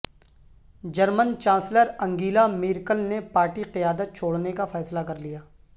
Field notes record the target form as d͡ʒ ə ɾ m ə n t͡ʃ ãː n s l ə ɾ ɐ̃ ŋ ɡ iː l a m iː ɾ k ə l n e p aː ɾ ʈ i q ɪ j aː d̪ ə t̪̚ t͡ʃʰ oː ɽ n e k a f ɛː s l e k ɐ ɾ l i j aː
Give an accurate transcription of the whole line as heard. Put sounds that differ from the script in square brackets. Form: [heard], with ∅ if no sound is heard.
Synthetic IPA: d͡ʒ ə ɾ m ə n t͡ʃ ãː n s l ə ɾ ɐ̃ ŋ ɡ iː l a m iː ɾ k ə l n e p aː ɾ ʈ i q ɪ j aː d̪ ə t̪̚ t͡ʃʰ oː ɽ n e k a f ɛː s l [a] k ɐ ɾ l i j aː